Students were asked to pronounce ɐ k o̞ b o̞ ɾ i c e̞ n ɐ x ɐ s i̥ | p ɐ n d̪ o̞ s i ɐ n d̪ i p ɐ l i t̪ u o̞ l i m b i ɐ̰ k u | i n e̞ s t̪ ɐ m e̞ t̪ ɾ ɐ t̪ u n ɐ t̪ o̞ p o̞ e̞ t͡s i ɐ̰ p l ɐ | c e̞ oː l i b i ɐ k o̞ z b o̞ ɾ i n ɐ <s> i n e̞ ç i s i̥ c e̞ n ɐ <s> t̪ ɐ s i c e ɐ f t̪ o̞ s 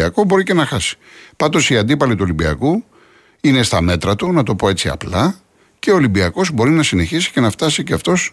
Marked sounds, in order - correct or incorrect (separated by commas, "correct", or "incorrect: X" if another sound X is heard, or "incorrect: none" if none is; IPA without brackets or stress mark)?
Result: correct, incorrect: f